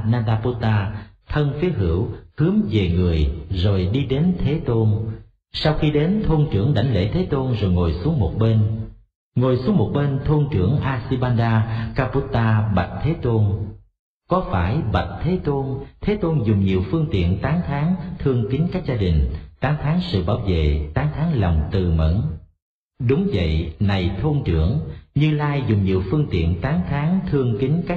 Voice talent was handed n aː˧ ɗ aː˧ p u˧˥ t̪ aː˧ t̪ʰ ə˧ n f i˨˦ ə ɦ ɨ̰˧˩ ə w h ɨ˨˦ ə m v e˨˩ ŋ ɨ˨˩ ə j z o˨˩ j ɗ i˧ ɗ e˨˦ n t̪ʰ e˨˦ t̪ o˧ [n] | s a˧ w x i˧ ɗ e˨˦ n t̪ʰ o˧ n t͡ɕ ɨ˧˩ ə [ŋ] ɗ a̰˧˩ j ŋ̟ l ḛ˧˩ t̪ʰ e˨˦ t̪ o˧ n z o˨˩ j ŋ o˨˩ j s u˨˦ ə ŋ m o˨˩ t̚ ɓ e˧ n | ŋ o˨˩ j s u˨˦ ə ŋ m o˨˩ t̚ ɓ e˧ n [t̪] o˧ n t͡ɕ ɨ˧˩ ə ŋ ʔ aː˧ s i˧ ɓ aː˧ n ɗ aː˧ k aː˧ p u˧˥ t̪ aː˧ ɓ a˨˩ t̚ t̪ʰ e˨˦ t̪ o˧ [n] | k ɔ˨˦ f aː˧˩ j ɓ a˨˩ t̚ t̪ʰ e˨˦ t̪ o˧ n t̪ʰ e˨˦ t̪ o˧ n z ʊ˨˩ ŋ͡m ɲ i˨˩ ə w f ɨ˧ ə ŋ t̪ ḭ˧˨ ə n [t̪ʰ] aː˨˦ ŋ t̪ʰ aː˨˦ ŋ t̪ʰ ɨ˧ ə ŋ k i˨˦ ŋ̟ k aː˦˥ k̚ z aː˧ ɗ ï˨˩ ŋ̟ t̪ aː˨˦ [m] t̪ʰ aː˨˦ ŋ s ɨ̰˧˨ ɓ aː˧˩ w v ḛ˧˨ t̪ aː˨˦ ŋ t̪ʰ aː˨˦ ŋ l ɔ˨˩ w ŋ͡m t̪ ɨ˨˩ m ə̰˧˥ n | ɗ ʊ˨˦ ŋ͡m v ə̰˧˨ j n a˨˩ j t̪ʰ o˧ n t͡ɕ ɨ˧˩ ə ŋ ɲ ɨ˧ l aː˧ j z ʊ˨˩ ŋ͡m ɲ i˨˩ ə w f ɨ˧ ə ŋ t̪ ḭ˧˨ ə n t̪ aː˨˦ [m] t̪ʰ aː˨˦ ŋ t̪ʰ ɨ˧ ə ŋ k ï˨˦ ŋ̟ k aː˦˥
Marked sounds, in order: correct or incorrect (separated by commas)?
correct, correct, incorrect, correct, incorrect, incorrect, incorrect